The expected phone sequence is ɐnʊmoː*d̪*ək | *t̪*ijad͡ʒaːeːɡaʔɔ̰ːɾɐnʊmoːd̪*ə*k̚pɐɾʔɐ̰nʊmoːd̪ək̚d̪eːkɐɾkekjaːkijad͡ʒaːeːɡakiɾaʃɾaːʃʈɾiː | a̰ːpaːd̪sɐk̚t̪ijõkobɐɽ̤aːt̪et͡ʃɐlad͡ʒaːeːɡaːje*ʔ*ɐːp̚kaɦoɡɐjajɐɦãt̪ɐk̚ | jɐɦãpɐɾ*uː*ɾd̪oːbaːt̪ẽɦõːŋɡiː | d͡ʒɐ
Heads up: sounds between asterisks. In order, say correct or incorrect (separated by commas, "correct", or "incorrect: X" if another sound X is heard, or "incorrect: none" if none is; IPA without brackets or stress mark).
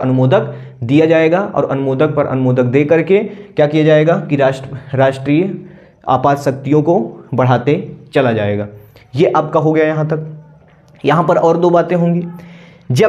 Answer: correct, incorrect: d̪, correct, correct, incorrect: ɔː